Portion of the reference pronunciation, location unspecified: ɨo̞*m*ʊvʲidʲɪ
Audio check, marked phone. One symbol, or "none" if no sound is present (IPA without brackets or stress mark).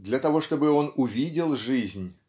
n